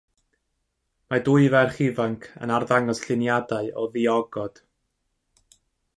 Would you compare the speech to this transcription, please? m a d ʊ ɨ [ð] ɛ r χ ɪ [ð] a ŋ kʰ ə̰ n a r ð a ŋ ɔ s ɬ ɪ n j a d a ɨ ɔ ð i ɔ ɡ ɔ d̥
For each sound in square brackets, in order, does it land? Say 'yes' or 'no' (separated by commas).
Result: no, no